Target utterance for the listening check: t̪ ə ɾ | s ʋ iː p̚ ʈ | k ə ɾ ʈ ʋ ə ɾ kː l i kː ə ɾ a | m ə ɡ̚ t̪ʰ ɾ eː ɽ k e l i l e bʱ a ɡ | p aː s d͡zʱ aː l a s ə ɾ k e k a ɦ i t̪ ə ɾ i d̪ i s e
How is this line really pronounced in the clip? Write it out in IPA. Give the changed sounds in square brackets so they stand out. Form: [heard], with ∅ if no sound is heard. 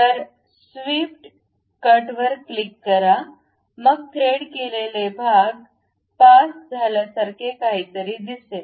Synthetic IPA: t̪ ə ɾ | s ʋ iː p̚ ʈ | k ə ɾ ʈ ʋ ə ɾ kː l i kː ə ɾ a | m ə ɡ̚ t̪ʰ ɾ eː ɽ k e l [e] l e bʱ a ɡ | p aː s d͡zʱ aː l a s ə ɾ k e k a ɦ i t̪ ə ɾ i d̪ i s e